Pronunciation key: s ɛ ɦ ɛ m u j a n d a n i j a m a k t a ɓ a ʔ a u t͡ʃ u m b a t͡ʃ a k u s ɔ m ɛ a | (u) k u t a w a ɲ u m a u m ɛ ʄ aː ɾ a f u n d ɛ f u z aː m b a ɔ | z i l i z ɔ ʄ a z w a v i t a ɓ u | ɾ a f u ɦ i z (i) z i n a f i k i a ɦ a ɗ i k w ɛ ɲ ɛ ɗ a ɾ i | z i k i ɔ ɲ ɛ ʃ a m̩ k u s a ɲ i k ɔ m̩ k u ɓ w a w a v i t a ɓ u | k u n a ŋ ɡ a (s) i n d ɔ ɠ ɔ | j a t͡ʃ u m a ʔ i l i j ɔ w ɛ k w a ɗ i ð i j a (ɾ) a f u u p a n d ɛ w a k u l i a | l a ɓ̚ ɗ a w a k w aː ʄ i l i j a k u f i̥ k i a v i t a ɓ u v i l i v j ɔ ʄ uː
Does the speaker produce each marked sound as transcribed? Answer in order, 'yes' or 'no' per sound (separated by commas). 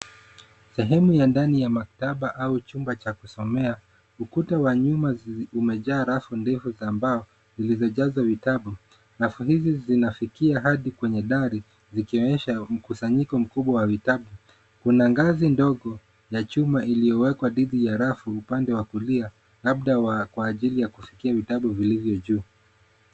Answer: yes, yes, no, yes